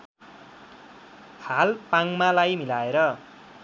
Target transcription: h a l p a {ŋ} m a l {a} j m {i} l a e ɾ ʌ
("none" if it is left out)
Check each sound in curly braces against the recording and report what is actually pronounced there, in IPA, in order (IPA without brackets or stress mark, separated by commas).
ŋ, a, i